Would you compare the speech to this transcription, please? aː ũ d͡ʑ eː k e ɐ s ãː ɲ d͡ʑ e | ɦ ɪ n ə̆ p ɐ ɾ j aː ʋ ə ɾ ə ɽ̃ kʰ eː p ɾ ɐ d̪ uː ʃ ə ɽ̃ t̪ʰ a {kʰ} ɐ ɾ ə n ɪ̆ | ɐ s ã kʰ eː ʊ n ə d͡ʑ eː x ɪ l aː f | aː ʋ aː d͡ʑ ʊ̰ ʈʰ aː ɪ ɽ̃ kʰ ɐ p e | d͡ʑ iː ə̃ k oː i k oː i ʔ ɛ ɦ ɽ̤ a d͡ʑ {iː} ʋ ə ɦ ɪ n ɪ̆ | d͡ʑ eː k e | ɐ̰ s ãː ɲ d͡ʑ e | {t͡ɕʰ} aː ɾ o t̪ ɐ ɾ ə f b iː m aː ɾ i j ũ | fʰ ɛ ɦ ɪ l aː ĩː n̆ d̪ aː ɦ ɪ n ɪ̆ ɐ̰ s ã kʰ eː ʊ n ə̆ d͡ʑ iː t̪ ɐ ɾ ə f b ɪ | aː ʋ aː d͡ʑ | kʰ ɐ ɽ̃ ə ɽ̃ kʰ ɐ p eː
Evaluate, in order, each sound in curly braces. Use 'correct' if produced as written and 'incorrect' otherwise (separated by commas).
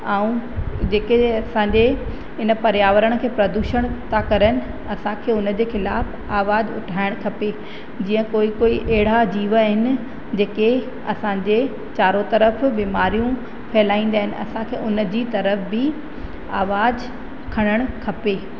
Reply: incorrect, correct, incorrect